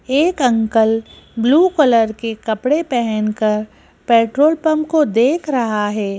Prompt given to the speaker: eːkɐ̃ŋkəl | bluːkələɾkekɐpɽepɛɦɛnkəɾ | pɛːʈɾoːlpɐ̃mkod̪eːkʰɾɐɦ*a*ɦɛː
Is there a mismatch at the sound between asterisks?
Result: no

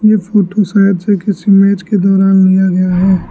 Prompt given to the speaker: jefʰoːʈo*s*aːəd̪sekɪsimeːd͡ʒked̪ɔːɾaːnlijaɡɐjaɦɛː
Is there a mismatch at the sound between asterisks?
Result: no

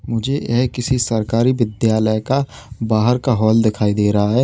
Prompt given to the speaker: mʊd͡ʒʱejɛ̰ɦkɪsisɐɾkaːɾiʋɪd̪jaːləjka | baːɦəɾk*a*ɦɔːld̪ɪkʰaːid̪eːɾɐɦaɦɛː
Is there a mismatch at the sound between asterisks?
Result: no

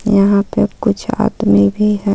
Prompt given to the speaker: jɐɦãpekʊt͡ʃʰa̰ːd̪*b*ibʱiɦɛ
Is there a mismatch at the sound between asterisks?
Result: yes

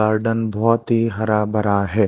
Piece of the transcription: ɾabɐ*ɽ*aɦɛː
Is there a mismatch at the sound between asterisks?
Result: yes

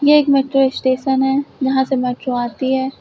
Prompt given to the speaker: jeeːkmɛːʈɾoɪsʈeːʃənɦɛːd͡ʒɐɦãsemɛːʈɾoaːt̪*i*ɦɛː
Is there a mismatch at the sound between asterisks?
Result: no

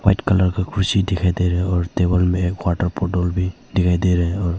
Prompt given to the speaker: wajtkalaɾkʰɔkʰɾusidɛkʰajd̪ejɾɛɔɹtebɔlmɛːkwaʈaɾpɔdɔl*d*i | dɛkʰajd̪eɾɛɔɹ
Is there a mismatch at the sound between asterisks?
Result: yes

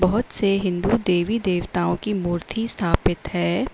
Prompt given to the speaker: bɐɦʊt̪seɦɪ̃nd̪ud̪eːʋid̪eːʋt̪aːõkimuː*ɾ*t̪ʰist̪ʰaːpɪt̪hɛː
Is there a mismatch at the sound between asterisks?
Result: no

